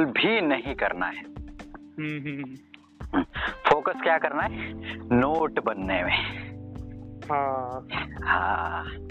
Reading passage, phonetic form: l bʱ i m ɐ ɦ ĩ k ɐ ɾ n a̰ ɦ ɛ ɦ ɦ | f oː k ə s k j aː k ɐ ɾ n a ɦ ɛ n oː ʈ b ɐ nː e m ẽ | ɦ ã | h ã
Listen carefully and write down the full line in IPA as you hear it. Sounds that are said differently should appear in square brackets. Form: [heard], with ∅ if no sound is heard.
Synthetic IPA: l bʱ i [n] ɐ ɦ ĩ k ɐ ɾ n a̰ ɦ ɛ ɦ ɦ | f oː k ə s k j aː k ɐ ɾ n a ɦ ɛ n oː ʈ b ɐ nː e m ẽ | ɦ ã | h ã